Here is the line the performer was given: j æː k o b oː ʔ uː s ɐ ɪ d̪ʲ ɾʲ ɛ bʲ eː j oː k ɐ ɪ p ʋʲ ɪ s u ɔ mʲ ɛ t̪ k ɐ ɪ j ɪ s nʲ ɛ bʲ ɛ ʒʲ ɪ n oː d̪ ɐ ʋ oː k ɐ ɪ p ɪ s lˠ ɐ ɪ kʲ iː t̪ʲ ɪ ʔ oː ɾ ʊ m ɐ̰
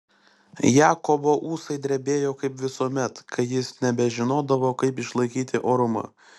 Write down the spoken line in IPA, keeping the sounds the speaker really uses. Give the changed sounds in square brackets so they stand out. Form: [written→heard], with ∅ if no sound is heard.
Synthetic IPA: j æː k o b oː ʔ uː s ɐ ɪ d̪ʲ ɾʲ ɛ bʲ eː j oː k ɐ ɪ p ʋʲ ɪ s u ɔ mʲ ɛ t̪ k ɐ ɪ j ɪ s nʲ ɛ bʲ ɛ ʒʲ ɪ n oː d̪ ɐ ʋ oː k ɐ ɪ p ɪ [s→ʃ] lˠ ɐ ɪ kʲ iː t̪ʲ ɪ ʔ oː ɾ ʊ m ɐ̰